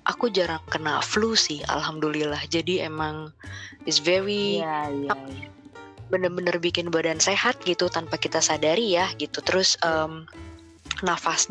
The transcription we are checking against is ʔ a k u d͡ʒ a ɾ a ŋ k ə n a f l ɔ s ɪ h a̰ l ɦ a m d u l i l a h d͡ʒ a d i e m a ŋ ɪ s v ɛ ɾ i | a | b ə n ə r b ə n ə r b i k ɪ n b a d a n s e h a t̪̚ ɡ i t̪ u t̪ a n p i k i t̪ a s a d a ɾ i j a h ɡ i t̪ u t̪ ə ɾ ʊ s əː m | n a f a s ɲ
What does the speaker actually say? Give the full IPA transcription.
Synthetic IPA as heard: ʔ a k u d͡ʒ a ɾ a ŋ k ə n a f l u s ɪ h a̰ l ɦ a m d u l i l a h d͡ʒ a d i e m a ŋ ɪ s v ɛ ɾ i | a | b ə n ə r b ə n ə r b i k ɪ n b a d a n s e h a t̪̚ ɡ i t̪ u t̪ a n p a k i t̪ a s a d a ɾ i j a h ɡ i t̪ u t̪ ə ɾ ʊ s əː m | n a f a s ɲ